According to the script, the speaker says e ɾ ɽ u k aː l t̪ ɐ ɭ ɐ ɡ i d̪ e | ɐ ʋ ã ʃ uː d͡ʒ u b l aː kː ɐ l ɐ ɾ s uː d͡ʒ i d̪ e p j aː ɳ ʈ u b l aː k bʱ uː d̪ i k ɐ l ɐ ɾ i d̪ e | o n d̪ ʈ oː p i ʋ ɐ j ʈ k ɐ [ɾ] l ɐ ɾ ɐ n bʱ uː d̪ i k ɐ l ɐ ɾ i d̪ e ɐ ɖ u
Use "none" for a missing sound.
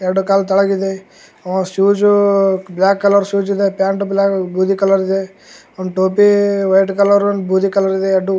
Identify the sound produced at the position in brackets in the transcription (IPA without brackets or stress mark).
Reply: none